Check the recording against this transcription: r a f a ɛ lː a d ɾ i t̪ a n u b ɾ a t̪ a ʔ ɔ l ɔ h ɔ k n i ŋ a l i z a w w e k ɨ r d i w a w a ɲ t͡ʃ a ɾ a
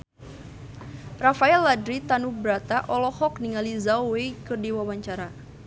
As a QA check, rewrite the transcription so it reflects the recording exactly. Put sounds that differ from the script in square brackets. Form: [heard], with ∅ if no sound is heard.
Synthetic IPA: r a f a ɛ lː a d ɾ i t̪ a n u b ɾ a t̪ a ʔ ɔ l ɔ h ɔ k n i ŋ a l i z a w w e k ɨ r d i w a w a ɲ t͡ʃ a ɾ a

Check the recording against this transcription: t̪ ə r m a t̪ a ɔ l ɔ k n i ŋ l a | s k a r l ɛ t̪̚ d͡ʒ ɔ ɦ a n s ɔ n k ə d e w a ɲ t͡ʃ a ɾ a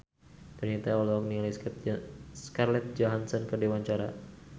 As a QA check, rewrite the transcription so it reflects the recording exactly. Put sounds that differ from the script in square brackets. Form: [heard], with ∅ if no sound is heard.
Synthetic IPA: t̪ ə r [ɲ] a t̪ a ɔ l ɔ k n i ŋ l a | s k a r l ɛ t̪̚ d͡ʒ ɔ ɦ a n s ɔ n k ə d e w a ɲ t͡ʃ a ɾ a

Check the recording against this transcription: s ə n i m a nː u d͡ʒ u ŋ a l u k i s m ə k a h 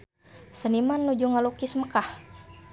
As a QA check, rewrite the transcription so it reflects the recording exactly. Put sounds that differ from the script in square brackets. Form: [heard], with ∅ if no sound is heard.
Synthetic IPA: s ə n i m a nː u d͡ʒ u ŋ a l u k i s m ə k a h

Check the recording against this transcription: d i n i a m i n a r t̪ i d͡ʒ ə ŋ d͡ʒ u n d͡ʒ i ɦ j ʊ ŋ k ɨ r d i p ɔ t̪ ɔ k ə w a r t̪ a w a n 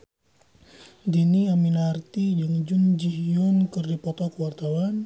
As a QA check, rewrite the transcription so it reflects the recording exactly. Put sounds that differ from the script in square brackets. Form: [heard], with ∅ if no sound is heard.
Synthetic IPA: d i n i a m i n a r t̪ i d͡ʒ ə ŋ d͡ʒ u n d͡ʒ i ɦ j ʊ [n] k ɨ r d i p ɔ t̪ ɔ k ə w a r t̪ a w a n

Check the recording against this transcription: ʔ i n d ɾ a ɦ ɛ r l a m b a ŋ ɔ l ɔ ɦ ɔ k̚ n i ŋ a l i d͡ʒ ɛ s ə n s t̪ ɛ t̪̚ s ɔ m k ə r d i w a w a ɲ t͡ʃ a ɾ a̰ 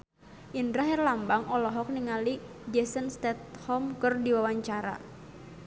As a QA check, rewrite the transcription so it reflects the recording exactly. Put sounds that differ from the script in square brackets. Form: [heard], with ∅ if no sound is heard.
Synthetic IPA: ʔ i n d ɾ a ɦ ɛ r l a m b a ŋ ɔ l ɔ ɦ ɔ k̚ n i ŋ a l i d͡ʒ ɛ s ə n s t̪ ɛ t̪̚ [h] ɔ m k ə r d i w a w a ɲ t͡ʃ a ɾ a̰

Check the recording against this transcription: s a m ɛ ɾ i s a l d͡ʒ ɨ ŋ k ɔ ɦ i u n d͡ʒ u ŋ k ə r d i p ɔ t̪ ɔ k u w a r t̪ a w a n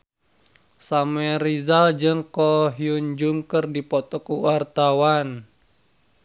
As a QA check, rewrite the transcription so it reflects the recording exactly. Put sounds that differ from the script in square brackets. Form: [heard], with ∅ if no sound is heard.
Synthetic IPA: s a m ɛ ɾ i [z] a l d͡ʒ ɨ ŋ k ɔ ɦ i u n d͡ʒ u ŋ k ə r d i p ɔ t̪ ɔ k u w a r t̪ a w a n

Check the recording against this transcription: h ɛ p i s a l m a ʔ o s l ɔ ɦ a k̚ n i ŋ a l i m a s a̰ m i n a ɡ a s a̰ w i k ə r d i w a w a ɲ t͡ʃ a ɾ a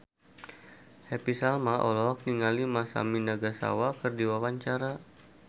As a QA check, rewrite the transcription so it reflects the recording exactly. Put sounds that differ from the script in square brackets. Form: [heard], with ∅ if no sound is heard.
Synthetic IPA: h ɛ p i s a l m a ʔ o [∅] l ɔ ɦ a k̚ n i ŋ a l i m a s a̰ m i n a ɡ a s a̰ w [a] k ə r d i w a w a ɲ t͡ʃ a ɾ a

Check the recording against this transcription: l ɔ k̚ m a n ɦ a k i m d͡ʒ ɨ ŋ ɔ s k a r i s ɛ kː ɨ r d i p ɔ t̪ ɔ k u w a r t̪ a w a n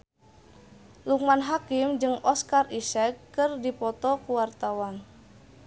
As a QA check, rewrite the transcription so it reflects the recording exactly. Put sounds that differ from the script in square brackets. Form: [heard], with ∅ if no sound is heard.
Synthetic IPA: l [u] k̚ m a n ɦ a k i m d͡ʒ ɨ ŋ ɔ s k a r i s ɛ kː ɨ r d i p ɔ t̪ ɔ k u w a r t̪ a w a n

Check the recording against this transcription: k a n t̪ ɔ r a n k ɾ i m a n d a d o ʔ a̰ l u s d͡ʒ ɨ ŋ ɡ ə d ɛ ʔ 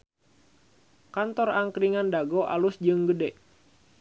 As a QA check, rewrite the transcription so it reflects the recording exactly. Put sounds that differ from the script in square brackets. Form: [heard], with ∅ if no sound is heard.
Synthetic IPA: k a n t̪ ɔ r a [ŋ] k ɾ i [ŋ] a n d a [ɡ] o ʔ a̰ l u s d͡ʒ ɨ ŋ ɡ ə d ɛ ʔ

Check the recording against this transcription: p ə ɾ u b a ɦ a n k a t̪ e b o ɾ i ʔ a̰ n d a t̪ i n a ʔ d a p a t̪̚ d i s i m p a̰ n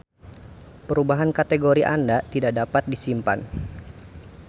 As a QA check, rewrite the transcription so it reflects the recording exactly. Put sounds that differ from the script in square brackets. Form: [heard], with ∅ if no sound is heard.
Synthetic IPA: p ə ɾ u b a ɦ a n k a t̪ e [ɡ] o ɾ i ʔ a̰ n d a t̪ i [d] a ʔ d a p a t̪̚ d i s i m p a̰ n

